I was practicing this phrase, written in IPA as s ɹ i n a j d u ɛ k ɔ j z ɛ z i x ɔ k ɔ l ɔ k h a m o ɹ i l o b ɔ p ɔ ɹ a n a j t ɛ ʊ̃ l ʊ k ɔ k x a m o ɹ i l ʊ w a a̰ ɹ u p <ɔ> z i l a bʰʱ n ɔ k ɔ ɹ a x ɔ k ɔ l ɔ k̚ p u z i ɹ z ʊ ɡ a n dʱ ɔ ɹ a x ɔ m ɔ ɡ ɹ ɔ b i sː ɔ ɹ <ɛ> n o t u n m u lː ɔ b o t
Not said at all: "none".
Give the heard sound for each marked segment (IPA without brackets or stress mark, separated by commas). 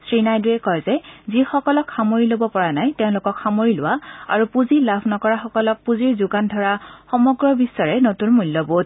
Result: u, ɛ